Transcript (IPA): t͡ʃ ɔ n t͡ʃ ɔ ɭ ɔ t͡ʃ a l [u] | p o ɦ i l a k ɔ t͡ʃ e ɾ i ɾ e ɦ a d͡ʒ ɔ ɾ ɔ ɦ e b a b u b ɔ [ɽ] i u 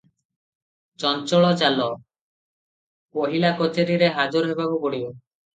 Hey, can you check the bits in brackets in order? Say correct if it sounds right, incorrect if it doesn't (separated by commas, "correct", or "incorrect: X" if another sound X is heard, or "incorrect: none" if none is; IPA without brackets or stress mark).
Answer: incorrect: ɔ, correct